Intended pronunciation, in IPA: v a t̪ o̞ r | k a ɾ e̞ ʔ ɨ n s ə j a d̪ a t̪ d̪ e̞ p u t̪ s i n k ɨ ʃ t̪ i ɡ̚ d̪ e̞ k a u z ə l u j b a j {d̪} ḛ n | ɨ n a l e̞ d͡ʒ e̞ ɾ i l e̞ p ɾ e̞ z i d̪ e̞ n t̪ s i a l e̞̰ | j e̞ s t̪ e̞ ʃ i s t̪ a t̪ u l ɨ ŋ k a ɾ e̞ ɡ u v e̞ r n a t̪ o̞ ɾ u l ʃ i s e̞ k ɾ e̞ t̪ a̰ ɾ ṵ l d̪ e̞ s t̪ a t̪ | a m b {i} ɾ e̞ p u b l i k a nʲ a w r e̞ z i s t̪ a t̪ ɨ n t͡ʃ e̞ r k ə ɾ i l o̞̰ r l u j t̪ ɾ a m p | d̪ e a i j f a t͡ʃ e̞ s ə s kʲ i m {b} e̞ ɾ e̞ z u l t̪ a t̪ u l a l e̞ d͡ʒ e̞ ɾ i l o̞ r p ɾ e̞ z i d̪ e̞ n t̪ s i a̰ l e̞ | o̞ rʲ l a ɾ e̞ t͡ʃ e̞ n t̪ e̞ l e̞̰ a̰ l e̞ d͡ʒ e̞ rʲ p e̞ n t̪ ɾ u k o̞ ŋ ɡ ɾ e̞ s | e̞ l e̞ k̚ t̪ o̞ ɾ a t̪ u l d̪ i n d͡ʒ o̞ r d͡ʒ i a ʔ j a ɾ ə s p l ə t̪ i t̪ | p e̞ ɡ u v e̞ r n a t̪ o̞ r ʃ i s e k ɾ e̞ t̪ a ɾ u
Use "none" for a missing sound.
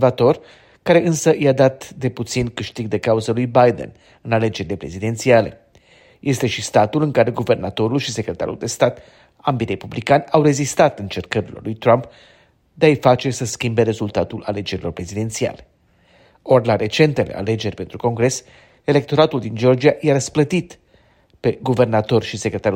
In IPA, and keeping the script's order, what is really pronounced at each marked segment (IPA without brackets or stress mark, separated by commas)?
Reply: d̪, i, b